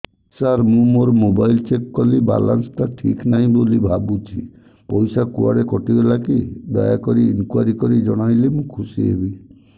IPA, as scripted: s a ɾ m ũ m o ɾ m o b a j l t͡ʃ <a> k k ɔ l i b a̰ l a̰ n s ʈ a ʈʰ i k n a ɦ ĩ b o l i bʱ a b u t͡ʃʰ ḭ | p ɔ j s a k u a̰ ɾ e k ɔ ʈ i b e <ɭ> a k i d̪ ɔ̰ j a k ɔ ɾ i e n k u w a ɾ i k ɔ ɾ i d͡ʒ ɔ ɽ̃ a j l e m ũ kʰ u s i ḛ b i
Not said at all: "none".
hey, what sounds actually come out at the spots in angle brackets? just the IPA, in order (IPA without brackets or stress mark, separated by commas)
e, l